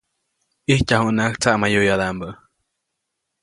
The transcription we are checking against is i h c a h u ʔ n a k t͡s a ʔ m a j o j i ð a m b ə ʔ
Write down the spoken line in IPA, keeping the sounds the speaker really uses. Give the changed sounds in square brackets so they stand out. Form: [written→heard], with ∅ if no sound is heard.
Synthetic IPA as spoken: i h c a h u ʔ n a k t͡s a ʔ m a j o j [i→a] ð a m b ə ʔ